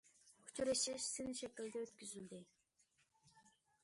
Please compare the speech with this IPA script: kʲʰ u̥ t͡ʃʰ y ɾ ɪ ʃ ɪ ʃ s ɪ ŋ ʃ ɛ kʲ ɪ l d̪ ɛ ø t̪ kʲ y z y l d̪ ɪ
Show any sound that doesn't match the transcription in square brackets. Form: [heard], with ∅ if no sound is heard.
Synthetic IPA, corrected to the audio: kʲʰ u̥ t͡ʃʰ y ɾ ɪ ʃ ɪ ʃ s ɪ [n] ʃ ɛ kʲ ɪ l d̪ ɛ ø t̪ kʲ y z y l d̪ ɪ

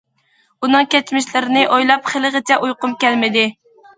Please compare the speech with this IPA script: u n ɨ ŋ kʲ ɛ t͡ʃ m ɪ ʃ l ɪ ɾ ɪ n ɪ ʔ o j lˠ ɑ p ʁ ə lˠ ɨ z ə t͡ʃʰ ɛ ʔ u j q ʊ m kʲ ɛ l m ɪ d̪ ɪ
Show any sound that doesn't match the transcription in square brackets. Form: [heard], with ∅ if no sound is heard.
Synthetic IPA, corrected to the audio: u n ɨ ŋ kʲ ɛ t͡ʃ m ɪ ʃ l ɪ ɾ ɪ n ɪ ʔ o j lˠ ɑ p [χ] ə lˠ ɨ [ʁ] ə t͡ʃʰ ɛ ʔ u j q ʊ m kʲ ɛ l m ɪ d̪ ɪ

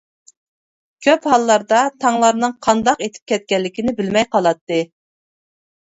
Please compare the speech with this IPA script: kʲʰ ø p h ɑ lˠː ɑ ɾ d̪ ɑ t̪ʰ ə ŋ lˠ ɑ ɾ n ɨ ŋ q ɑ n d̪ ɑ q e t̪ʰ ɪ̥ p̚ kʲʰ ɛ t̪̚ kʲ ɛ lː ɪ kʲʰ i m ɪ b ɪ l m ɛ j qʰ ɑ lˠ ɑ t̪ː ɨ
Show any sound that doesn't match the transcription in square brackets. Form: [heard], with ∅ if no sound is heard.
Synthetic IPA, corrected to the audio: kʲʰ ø p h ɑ lˠː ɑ ɾ d̪ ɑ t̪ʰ [ɑ] ŋ lˠ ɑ ɾ n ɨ ŋ [qʰ] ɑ n d̪ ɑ q e t̪ʰ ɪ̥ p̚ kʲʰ ɛ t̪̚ kʲ ɛ lː ɪ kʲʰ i [n] ɪ b ɪ l m ɛ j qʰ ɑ lˠ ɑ t̪ː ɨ

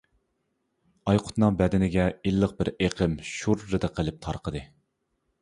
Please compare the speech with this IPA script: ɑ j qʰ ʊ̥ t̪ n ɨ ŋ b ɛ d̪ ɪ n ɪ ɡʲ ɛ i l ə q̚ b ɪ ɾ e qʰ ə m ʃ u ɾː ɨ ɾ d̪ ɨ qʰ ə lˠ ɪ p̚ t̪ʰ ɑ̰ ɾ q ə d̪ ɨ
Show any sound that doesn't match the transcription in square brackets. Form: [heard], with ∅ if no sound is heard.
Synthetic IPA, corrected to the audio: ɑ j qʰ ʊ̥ t̪ n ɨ ŋ b ɛ d̪ ɪ n ɪ ɡʲ ɛ i [lː] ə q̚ b ɪ ɾ e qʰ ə m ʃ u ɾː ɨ [∅] d̪ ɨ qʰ ə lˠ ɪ p̚ t̪ʰ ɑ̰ ɾ q ə d̪ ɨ

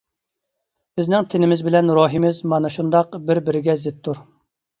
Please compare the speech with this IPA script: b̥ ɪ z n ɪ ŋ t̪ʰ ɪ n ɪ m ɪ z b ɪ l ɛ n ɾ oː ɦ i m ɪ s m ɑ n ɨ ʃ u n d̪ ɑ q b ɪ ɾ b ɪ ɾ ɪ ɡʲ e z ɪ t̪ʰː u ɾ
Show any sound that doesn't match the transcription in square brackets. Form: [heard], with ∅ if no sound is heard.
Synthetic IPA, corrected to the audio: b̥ ɪ z n ɪ ŋ t̪ʰ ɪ n ɪ m ɪ z b ɪ l ɛ n ɾ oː ɦ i m ɪ [z] m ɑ n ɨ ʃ u n d̪ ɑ q b ɪ ɾ b ɪ ɾ ɪ ɡʲ [ɛ] z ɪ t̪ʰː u ɾ

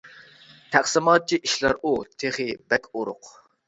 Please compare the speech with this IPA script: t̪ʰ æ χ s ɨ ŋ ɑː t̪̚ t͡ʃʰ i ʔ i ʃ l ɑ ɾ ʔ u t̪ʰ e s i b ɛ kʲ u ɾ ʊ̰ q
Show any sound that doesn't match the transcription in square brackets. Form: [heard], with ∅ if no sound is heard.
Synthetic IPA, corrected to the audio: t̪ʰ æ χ s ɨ [m] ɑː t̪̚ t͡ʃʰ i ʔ i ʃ l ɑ ɾ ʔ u t̪ʰ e [χ] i b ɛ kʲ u ɾ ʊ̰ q

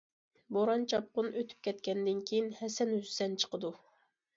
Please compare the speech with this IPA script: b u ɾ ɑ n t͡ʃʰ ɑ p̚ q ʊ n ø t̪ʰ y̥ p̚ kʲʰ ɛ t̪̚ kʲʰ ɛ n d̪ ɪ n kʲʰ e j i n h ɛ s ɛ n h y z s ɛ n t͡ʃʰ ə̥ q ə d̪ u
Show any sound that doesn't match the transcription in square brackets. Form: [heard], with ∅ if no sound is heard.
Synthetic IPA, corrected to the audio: b [o] ɾ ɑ n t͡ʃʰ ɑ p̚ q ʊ n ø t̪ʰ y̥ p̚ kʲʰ ɛ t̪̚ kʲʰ ɛ n d̪ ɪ n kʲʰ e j i n h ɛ s ɛ n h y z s ɛ n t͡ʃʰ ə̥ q ə d̪ u

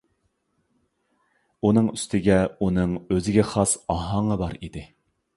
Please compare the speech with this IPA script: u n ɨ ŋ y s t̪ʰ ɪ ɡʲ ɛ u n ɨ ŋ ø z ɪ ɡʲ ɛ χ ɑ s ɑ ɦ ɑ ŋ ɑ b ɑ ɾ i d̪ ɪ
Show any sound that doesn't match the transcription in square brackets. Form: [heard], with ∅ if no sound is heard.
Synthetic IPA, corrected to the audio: u n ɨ ŋ y s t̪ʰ ɪ ɡʲ ɛ u n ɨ ŋ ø z ɪ ɡʲ ɛ χ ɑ s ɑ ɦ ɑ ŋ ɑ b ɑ ɾ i d̪ ɪ

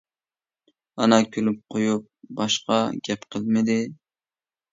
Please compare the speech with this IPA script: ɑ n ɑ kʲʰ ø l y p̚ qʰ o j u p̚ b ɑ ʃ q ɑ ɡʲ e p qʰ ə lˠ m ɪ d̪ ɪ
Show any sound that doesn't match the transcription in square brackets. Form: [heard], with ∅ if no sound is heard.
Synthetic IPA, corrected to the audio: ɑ n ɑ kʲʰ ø l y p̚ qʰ o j u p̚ b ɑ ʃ q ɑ ɡʲ [ɛ] p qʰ ə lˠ m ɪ d̪ ɪ

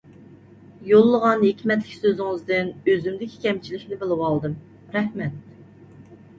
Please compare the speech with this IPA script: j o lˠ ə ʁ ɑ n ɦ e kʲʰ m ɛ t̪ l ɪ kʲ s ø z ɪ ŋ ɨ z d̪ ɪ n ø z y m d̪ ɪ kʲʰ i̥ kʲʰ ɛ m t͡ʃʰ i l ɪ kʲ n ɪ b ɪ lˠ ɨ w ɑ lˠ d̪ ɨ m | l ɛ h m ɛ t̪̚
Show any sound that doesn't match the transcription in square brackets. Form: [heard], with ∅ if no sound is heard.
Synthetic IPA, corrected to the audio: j o [lˠː] ə ʁ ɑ n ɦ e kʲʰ m ɛ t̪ l ɪ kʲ s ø z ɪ ŋ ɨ z d̪ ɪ n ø z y m d̪ ɪ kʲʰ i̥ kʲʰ ɛ m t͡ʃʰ i l ɪ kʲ n ɪ b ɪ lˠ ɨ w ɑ lˠ d̪ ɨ m | [ɾ] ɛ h m ɛ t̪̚

